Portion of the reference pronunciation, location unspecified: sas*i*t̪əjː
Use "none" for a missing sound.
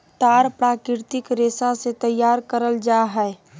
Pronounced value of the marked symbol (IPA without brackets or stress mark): e